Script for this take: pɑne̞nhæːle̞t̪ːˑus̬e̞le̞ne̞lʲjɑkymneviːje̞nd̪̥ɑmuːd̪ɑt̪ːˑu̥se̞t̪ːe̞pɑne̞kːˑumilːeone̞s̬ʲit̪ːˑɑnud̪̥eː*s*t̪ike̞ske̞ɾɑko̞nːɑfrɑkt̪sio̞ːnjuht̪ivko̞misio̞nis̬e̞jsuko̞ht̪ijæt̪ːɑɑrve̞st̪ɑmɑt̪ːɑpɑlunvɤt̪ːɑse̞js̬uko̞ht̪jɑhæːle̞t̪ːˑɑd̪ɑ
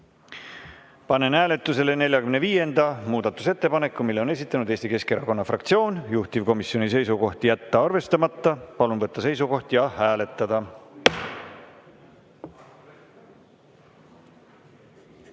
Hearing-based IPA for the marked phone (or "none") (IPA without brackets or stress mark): s